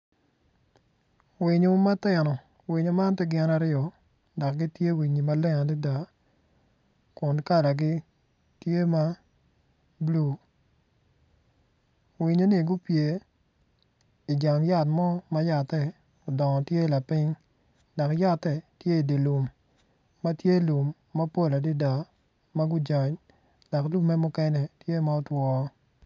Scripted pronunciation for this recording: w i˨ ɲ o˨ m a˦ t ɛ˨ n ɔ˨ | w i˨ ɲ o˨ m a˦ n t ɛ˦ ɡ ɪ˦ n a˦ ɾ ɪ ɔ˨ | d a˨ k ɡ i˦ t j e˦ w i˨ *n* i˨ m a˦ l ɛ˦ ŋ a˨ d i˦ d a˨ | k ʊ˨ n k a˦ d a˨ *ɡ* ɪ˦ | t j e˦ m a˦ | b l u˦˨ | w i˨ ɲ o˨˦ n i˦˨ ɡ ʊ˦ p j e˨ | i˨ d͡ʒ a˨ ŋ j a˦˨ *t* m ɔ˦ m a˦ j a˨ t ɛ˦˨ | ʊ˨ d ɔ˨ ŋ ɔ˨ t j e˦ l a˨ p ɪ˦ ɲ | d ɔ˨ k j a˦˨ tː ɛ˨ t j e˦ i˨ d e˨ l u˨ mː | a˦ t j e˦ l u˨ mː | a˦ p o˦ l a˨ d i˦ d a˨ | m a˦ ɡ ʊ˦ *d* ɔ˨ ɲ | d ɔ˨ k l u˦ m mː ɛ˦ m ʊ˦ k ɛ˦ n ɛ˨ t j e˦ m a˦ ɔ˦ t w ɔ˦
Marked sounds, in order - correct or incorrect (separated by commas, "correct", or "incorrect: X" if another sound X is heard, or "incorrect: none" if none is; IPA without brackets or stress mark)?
incorrect: ɲ, correct, correct, incorrect: d͡ʒ